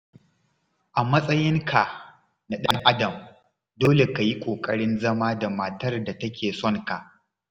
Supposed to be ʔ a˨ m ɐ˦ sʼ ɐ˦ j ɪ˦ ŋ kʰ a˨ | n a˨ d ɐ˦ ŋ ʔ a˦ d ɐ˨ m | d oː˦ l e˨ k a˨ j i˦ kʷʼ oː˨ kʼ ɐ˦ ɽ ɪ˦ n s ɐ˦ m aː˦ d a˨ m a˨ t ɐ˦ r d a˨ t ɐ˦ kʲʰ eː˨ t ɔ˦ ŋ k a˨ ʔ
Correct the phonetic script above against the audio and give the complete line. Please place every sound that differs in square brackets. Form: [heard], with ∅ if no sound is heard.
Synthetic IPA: ʔ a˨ m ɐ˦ sʼ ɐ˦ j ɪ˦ ŋ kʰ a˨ | n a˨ [ɗ] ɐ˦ ŋ ʔ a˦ d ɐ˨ m | d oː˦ l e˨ k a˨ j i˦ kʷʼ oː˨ kʼ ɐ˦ ɽ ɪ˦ n [z] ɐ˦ m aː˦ d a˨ m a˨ t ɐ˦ r d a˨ t ɐ˦ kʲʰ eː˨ [s] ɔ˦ ŋ k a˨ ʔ